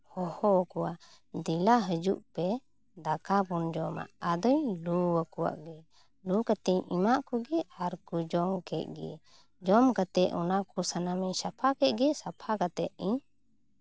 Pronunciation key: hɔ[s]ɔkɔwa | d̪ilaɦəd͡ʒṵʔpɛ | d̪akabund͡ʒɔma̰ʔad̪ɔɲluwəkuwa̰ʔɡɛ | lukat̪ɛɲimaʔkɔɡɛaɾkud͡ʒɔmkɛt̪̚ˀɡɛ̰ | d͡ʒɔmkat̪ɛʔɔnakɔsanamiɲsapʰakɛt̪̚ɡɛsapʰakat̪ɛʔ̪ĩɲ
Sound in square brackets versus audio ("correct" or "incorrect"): incorrect